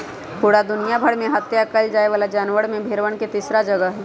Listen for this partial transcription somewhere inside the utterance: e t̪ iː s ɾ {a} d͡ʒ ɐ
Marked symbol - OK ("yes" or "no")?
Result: yes